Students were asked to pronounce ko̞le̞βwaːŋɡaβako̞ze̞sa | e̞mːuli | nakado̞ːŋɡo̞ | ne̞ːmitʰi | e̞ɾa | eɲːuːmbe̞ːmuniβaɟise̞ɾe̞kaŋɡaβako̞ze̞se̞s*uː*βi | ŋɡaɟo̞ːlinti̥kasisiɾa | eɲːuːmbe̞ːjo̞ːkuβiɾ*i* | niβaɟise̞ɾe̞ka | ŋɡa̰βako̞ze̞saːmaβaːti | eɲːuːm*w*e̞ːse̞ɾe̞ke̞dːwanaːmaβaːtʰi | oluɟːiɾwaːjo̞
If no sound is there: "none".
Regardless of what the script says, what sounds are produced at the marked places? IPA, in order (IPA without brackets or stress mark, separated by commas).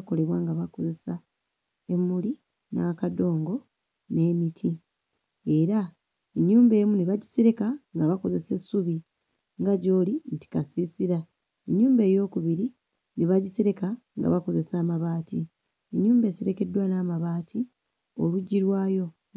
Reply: u, i, b